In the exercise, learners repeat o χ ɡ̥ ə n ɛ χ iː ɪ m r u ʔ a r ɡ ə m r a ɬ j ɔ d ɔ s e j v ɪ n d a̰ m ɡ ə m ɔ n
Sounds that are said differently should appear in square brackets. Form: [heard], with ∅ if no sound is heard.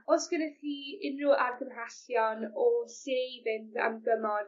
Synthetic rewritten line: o [s] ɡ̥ ə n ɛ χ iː ɪ [n] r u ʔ a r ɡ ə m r a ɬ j ɔ [n] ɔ s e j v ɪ n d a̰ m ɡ ə m ɔ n